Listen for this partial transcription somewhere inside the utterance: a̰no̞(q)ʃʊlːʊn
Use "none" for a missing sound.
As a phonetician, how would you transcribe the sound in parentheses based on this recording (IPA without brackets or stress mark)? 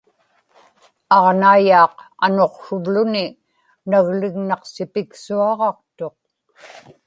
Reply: q